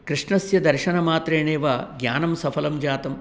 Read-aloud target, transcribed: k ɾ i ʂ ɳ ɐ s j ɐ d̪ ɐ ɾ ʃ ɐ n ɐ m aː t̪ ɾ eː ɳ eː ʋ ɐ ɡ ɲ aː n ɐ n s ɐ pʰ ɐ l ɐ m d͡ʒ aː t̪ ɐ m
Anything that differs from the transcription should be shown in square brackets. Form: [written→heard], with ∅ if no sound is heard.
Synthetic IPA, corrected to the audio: k ɾ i ʂ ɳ ɐ s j ɐ d̪ ɐ ɾ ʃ ɐ n ɐ m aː t̪ ɾ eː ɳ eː ʋ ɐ ɡ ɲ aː n ɐ [n→m] s ɐ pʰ ɐ l ɐ m d͡ʒ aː t̪ ɐ m